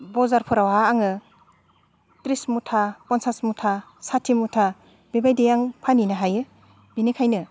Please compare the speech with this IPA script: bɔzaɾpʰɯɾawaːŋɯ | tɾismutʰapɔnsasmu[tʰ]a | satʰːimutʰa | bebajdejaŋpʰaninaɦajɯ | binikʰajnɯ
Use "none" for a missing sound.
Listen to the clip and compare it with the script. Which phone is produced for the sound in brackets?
tʰ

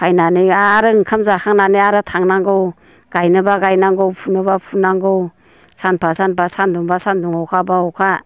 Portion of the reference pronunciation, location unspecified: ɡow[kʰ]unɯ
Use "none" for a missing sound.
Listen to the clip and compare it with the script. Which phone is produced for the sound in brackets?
pʰ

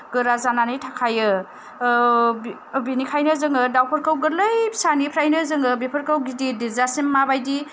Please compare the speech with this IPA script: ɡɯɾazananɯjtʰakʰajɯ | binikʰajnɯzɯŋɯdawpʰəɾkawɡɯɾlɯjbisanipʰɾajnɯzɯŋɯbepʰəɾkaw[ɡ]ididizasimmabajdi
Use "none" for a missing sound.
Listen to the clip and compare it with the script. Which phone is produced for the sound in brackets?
ɡ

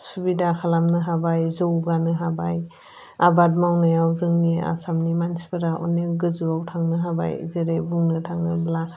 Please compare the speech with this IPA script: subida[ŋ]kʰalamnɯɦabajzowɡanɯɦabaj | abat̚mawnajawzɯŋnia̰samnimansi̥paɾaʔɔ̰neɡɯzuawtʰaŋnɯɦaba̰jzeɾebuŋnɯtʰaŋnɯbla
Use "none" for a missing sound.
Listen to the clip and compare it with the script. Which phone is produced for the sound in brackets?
none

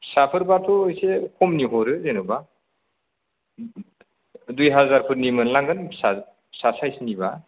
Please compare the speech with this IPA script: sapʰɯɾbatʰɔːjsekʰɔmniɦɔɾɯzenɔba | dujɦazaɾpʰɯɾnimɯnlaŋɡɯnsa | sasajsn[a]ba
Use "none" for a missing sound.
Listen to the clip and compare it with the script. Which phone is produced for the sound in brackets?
i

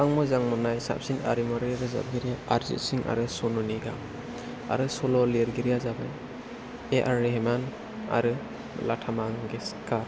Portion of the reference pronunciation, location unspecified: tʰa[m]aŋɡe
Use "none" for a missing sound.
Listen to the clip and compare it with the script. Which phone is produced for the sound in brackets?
m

